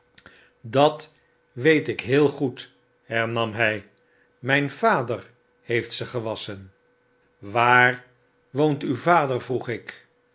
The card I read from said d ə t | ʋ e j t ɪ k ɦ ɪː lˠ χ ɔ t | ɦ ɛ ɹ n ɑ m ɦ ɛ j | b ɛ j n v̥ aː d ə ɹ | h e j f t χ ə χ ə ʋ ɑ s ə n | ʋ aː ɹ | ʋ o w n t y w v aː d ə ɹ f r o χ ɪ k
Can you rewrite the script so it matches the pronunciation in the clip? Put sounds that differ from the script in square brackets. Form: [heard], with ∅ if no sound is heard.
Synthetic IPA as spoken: d [ɑ] t | ʋ e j t ɪ k ɦ ɪː lˠ χ [u] t | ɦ ɛ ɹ n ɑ m ɦ ɛ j | [m] ɛ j n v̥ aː d ə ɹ | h e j f t [s] ə χ ə ʋ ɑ s ə n | ʋ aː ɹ | ʋ o w n t y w v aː d ə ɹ [v] r [u] χ ɪ k